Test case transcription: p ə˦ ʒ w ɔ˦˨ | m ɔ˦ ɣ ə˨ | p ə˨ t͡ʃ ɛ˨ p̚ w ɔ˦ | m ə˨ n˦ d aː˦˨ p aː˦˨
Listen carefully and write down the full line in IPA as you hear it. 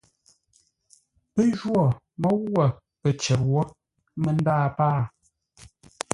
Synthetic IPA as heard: p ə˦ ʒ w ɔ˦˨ | m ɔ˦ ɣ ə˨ | p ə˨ t͡ʃ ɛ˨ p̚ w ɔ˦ | m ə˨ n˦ d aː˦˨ p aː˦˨